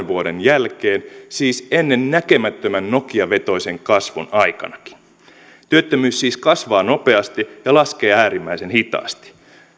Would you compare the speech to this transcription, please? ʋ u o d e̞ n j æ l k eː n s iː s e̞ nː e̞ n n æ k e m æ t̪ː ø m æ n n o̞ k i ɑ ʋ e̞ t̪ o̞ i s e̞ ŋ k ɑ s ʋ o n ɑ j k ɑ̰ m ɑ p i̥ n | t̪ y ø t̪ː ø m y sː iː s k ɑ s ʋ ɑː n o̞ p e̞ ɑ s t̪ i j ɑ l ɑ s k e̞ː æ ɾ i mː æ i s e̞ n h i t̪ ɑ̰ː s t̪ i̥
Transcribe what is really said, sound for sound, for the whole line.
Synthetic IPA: ʋ u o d e̞ n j æ l k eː n s iː s e̞ nː e̞ n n æ k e m æ t̪ː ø m æ n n o̞ k i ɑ ʋ e̞ t̪ o̞ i s e̞ ŋ k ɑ s ʋ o n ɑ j k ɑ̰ n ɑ k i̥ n | t̪ y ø t̪ː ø m yː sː iː s k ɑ s ʋ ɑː n o̞ p e̞ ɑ s t̪ i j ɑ l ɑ s k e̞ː æː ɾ i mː æ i s e̞ n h i t̪ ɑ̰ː s t̪ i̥

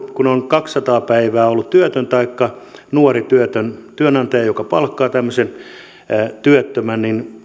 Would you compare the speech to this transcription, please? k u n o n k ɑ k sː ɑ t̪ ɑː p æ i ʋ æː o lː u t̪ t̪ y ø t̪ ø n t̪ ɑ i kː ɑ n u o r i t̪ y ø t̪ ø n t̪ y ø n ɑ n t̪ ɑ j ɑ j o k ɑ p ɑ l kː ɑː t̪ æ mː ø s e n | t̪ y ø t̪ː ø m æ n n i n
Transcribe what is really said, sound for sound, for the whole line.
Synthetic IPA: k u n o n k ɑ k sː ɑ t̪ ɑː p æ i ʋ æː o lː u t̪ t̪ y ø t̪ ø n t̪ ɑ i kː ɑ n u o r i t̪ y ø t̪ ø n t̪ y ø n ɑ n t̪ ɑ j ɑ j o k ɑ p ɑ l kː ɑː t̪ æ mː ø s e n | t̪ y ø t̪ː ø m æ n n i n

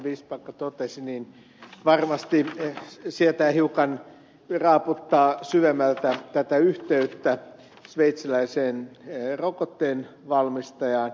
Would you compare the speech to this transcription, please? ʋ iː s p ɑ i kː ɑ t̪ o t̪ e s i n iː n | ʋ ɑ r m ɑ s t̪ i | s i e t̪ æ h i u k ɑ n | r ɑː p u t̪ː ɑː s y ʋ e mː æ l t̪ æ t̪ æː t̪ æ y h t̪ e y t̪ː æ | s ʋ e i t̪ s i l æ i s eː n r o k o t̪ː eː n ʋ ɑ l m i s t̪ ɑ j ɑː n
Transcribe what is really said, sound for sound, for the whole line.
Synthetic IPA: ʋ iː s p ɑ i kː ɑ t̪ o t̪ e s i n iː n | ʋ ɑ r m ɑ s t̪ i | s i e t̪ æ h i u k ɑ n | r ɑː p u t̪ː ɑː s y ʋ e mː æ l t̪ æ t̪ æ t̪ æ y h t̪ e y t̪ː æ | s ʋ e i t̪ s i l æ i s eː n r o k o t̪ː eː n ʋ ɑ l m i s t̪ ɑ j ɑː n

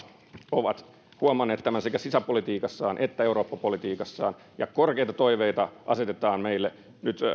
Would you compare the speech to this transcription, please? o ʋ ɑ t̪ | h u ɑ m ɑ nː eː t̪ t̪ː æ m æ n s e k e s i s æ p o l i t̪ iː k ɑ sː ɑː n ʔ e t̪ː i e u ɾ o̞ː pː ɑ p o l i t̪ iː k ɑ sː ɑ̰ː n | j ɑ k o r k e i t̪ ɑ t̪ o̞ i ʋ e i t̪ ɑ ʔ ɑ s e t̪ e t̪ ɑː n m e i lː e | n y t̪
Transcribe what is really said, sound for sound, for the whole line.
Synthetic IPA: o ʋ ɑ t̪ | h u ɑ m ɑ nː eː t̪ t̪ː æ m æ n s e k æ s i s æ p o l i t̪ iː k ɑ sː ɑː n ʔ e t̪ː æ e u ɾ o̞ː pː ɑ p o l i t̪ iː k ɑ sː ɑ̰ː n | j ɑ k o r k e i t̪ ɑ t̪ o̞ i ʋ e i t̪ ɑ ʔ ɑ s e t̪ e t̪ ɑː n m e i lː e | n y t̪

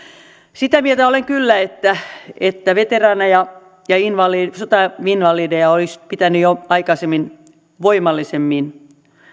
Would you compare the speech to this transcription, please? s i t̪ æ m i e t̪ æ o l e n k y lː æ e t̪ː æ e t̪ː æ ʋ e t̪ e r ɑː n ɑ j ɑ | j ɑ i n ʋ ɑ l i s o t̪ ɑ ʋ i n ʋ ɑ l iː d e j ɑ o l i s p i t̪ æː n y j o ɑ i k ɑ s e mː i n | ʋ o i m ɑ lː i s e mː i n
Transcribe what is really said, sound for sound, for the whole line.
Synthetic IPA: s i t̪ æ m i e t̪ æ o l e ŋ k y lː æ e t̪ː æ e t̪ː æ ʋ e t̪ e r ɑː n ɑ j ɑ | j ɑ i n ʋ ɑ l i s o t̪ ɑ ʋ i n ʋ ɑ l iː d e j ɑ o l i s p i t̪ æ n y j o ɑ i k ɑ s e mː i n | ʋ o i m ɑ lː i s e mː i n

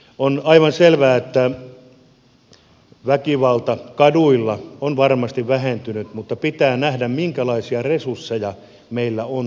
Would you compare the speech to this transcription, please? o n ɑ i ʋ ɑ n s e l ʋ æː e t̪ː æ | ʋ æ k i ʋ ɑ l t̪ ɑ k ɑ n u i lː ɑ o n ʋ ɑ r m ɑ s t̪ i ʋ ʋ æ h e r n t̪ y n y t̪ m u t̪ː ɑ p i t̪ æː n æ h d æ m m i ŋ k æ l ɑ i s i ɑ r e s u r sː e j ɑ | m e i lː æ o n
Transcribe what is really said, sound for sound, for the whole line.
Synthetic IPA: o n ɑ i ʋ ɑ n s e l ʋ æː e t̪ː æ | ʋ æ k i ʋ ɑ l t̪ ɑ k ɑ d u i lː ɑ o n ʋ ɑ r m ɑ s t̪ i ʋ ʋ æ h e n t̪ y n y t̪ m u t̪ː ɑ p i t̪ æː n æ h d æ m m i ŋ k æ l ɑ i s i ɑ r e s u r sː e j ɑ | m e i lː æ o n

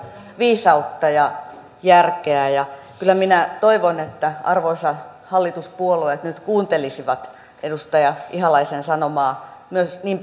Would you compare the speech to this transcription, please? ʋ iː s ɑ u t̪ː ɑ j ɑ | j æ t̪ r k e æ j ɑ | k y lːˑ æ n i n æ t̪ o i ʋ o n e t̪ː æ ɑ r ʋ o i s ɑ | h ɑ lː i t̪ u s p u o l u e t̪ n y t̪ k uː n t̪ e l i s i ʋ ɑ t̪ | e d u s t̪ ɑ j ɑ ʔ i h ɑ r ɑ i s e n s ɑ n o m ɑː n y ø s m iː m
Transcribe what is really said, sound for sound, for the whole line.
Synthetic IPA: ʋ iː s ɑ u t̪ː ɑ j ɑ | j æ r k e æ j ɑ | k y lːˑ æ m i n æ t̪ o i ʋ o n e t̪ː æ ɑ r ʋ o i s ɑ | h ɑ lː i t̪ u s p u o l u e t̪ n y t̪ k uː n t̪ e l i s i ʋ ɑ t̪ | e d u s t̪ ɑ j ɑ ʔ i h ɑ l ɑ i s e n s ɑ n o m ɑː m y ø s n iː m

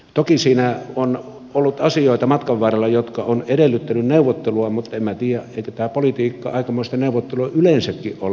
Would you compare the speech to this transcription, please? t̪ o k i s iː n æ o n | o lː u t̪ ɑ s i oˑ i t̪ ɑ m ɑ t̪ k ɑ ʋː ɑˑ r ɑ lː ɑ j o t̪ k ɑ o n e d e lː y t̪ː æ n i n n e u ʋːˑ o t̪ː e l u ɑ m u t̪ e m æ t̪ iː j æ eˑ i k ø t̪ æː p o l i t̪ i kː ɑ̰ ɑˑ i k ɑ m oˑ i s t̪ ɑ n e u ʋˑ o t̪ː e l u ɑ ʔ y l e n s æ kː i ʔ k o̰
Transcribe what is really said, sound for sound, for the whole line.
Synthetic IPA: t̪ o k i s iː n æ o n | o lː u t̪ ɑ s i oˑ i t̪ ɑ m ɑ t̪ k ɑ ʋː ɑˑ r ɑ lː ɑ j o t̪ k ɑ o n e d e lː y t̪ː æ n y n n e u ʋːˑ o t̪ː e l u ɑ m u t̪ e m æ t̪ iː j æ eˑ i k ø t̪ æː p o l i t̪ iː kː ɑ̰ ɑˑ i k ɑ m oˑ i s t̪ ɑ n e u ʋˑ o t̪ː e l u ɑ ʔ y l e n s æ kː i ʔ ʔ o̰

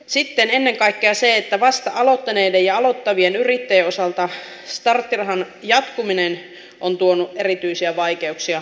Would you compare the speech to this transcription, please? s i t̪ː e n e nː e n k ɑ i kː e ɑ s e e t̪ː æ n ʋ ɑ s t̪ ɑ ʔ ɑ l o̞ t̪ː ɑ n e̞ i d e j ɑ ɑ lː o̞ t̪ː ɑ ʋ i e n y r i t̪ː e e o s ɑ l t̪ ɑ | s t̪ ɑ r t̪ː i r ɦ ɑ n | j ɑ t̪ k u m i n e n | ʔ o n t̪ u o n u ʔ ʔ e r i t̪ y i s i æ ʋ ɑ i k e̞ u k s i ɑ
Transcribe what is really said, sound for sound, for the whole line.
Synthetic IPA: s i t̪ː e n e nː e ŋ k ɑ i kː e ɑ s e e t̪ː æ ʋ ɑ s t̪ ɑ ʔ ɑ l o̞ t̪ː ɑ n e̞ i d e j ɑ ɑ l o̞ t̪ː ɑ ʋ i e n y r i t̪ː e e o s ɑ l t̪ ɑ | s t̪ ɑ r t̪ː i r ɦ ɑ n | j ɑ t̪ k u m i n e n | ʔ o n t̪ u o n u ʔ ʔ e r i t̪ y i s i æ ʋ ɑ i k e̞ u k s i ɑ

